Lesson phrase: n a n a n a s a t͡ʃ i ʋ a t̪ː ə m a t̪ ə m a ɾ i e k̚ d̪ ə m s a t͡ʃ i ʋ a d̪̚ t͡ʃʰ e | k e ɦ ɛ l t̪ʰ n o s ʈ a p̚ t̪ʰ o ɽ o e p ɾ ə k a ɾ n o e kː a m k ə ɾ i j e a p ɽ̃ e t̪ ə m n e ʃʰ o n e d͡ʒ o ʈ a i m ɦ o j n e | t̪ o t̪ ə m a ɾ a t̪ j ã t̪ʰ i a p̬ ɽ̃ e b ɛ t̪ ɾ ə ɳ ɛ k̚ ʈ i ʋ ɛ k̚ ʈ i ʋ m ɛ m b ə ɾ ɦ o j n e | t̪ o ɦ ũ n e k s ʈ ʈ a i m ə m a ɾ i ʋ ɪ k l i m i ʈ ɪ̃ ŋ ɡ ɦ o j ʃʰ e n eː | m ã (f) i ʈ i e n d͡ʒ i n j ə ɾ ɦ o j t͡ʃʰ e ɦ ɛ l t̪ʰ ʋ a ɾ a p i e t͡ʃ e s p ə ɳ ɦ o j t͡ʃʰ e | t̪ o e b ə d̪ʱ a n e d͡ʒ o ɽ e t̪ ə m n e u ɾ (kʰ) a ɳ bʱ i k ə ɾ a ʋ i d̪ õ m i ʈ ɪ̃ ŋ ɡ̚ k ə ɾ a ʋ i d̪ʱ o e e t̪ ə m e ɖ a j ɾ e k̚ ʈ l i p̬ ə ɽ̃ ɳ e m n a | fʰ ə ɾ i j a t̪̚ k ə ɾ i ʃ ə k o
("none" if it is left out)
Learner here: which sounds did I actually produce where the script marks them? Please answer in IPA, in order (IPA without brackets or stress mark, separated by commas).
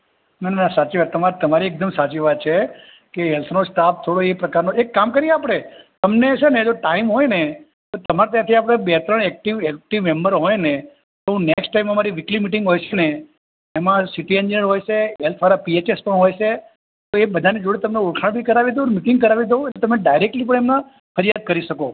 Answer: s, kʰ